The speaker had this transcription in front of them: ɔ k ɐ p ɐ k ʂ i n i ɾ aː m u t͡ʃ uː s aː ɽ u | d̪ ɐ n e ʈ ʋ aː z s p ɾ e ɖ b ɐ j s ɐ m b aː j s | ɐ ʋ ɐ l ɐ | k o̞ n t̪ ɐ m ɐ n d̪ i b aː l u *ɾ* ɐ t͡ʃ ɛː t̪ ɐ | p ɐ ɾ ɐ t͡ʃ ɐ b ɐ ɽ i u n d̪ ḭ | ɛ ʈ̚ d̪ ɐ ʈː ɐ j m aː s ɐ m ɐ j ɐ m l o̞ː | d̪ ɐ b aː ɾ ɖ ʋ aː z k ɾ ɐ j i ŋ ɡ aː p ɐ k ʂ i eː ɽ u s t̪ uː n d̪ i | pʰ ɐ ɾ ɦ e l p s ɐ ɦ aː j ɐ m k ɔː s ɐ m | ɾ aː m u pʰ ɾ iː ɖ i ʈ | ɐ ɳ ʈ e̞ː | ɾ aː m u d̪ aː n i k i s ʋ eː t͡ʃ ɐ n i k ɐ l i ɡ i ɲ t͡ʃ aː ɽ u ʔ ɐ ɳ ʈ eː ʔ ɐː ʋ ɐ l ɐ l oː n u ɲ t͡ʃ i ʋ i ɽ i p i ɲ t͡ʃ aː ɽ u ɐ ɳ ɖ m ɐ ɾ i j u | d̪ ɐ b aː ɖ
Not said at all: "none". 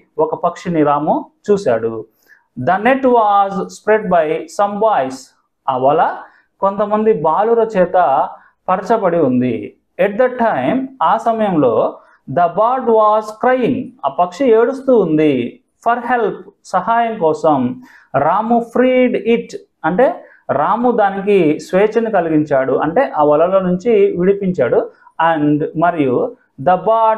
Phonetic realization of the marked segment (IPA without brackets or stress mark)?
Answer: ɾ